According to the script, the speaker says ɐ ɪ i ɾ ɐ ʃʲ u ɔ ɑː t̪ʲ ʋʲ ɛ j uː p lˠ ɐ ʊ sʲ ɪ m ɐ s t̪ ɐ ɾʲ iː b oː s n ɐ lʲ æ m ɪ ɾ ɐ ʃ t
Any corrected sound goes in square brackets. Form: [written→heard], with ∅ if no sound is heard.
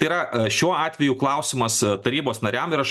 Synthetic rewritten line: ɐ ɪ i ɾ ɐ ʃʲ u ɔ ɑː t̪ʲ ʋʲ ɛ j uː [p→k] lˠ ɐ ʊ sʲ ɪ m ɐ s t̪ ɐ ɾʲ iː b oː s n ɐ [lʲ→ɾʲ] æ m ɪ ɾ ɐ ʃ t